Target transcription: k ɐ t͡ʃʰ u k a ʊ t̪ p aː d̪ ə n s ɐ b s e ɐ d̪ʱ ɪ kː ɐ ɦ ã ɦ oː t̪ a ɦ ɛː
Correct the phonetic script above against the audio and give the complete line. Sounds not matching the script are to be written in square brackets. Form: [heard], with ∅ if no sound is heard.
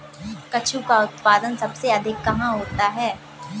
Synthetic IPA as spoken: k ɐ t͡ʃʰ u k a ʊ t̪ p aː d̪ ə n s ɐ b s e ɐ d̪ʱ ɪ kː ɐ ɦ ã ɦ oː t̪ a ɦ ɛː

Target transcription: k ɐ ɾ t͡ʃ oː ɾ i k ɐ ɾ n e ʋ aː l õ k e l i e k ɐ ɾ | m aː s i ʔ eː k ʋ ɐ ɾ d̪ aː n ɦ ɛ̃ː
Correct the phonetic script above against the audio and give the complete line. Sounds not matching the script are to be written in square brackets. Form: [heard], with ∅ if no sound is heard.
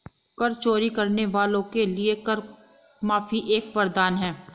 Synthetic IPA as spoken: k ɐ ɾ t͡ʃ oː ɾ i k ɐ ɾ n e ʋ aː l õ k e l i e k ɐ ɾ | m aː [f] i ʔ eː k ʋ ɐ ɾ d̪ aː n ɦ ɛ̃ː

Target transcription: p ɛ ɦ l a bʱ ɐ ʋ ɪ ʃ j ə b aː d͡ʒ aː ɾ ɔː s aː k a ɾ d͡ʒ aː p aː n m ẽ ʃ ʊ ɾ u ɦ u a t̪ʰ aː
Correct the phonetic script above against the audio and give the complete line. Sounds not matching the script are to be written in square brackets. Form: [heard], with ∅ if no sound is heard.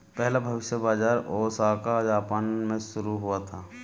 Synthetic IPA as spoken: p ɛ ɦ l a bʱ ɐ ʋ ɪ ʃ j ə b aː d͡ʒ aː ɾ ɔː s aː k a [∅] d͡ʒ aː p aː n m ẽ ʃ ʊ ɾ u ɦ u a t̪ʰ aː

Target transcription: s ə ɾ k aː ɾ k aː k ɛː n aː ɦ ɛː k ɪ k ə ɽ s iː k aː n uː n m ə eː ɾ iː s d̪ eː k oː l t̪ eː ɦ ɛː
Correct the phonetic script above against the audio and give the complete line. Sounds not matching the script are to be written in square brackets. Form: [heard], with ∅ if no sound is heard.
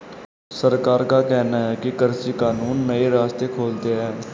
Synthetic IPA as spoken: s ə ɾ k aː ɾ k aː k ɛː n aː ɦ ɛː k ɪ k ə [ɾ] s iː k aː n uː n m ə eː ɾ [aː] s [t̪] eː [kʰ] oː l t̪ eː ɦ ɛː

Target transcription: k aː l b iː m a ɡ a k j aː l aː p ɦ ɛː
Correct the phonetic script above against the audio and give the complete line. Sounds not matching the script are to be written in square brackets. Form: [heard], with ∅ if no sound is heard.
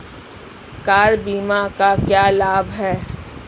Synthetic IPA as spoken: k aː [ɾ] b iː m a [k] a k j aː l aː [b] ɦ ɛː

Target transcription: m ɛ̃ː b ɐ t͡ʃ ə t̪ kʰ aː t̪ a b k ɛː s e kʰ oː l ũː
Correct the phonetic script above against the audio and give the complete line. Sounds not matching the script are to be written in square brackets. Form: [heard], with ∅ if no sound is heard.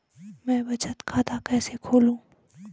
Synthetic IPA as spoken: m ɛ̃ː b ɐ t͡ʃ ə t̪ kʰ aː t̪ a [∅] k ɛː s e kʰ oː l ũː

